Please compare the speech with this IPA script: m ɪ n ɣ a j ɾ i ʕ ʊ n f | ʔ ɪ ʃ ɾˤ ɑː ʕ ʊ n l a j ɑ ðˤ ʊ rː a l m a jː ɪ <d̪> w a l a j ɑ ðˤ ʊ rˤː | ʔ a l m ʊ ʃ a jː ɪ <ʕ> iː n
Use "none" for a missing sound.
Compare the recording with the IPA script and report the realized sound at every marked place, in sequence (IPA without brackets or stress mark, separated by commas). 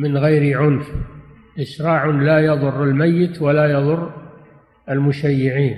t̪, ʕ